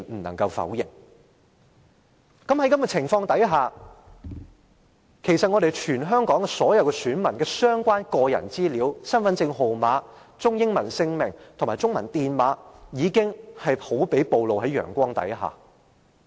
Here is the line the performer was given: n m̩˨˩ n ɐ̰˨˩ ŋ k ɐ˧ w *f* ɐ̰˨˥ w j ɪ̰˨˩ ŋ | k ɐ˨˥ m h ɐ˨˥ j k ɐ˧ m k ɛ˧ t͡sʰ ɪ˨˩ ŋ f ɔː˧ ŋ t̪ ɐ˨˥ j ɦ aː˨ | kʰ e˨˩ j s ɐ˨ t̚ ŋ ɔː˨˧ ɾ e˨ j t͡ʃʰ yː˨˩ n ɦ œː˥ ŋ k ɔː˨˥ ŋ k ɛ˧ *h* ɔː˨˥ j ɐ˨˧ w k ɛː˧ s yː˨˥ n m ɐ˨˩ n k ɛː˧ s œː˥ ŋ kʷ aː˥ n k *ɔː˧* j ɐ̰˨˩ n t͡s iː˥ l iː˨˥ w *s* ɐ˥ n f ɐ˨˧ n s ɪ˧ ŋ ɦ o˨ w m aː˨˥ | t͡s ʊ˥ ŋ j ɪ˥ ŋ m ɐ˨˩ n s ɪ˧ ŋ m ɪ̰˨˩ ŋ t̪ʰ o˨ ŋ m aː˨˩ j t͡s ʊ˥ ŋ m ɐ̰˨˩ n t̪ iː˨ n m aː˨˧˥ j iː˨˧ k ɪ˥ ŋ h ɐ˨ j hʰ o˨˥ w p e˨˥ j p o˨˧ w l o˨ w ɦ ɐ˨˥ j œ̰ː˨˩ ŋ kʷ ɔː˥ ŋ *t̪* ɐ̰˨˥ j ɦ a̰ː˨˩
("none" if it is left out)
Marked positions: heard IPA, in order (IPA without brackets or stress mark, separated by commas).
f, s, ɔː˧, s, t̪